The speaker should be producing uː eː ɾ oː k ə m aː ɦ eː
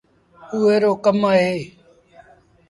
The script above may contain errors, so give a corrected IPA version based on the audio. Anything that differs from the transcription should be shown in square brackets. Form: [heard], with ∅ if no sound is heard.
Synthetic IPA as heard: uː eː ɾ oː k ə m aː ɦ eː